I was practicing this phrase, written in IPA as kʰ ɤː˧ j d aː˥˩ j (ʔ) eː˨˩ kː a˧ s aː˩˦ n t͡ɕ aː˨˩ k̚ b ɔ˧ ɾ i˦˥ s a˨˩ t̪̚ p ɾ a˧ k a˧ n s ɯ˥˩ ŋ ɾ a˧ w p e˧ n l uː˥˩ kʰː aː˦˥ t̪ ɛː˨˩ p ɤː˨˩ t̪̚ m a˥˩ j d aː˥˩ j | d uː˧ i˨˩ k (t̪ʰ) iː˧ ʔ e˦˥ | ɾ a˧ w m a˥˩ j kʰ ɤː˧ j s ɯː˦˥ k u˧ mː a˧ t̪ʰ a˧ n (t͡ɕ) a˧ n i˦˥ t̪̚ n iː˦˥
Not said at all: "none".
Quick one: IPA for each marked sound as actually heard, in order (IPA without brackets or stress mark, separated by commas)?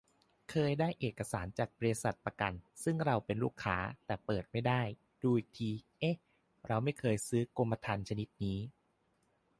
ʔ, t̪ʰ, t͡ɕʰ